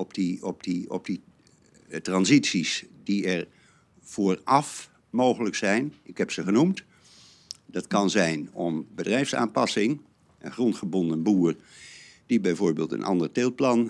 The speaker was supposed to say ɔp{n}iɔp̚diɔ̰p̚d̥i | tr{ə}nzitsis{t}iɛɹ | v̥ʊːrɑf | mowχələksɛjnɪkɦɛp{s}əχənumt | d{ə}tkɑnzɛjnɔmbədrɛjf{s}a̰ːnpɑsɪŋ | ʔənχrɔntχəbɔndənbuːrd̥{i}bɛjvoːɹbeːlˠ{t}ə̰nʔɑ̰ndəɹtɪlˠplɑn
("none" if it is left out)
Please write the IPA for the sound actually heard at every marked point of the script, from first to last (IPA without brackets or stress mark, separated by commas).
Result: d, ɑ, d, s, ɑ, s, i, t